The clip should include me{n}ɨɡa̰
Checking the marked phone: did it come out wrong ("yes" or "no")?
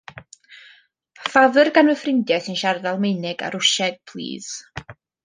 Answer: no